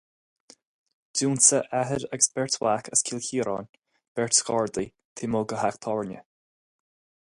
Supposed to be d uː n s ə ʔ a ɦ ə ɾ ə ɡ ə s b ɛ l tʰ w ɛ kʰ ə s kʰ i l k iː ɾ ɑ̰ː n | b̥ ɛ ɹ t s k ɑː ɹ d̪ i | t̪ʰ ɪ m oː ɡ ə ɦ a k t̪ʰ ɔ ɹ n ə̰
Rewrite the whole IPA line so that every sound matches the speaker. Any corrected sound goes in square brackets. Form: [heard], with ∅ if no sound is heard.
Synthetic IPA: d uː n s ə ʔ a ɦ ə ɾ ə ɡ ə s b ɛ [ɹ] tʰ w [a] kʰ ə s kʰ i l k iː ɾ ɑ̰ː n | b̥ ɛ ɹ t s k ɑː ɹ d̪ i | t̪ʰ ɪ m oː ɡ ə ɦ a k t̪ʰ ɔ ɹ n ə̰